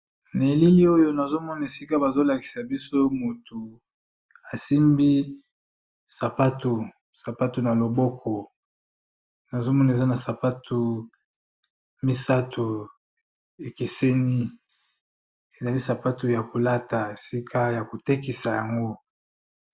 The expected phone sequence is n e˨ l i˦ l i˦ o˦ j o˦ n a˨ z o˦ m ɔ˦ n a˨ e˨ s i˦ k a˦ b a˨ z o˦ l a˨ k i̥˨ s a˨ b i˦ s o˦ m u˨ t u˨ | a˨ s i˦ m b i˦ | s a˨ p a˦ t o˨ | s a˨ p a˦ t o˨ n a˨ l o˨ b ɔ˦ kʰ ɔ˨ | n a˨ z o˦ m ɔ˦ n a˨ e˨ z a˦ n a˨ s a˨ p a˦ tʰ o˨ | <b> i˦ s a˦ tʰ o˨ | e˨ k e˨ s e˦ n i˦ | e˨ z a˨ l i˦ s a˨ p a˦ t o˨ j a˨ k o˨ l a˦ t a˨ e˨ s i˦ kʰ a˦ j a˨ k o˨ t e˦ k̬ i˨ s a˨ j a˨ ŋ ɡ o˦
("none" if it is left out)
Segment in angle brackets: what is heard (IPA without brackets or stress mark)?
m